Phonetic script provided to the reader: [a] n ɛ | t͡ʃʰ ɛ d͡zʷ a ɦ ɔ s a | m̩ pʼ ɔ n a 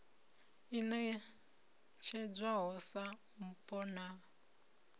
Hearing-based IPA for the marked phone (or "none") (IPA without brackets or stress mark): i